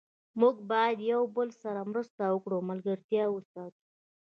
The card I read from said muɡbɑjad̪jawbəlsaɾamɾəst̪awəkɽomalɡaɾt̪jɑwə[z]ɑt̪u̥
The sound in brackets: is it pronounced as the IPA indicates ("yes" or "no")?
no